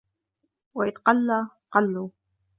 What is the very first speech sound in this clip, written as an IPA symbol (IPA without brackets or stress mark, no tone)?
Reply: w